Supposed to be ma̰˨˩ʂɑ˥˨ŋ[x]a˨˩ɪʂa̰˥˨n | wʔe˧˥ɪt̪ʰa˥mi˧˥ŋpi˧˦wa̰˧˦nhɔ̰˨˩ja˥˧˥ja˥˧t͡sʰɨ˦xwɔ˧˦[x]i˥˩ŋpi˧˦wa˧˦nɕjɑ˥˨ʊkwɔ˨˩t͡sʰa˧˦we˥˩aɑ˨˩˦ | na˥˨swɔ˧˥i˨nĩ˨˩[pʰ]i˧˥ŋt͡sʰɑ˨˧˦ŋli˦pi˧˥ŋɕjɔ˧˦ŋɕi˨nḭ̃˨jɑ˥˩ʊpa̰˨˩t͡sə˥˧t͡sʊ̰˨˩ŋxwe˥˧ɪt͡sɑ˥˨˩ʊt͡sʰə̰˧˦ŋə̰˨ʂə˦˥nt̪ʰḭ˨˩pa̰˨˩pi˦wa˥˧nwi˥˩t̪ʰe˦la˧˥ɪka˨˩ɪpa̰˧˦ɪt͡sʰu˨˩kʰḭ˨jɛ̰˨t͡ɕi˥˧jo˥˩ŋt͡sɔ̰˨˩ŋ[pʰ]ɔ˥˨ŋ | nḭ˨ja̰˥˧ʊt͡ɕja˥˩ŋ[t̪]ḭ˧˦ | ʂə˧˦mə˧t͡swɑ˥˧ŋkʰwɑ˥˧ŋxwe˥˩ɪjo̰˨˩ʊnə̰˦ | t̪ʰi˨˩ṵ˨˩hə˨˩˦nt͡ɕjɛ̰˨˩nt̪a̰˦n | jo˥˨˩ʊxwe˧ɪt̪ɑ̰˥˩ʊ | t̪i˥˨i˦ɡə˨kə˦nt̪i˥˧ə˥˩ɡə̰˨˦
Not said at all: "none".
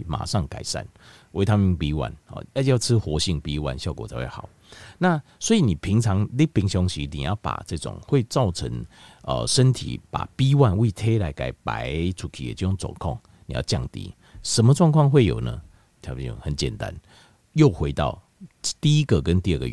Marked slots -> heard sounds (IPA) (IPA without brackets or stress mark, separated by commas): k, ɕ, pʰ, kʰ, t̪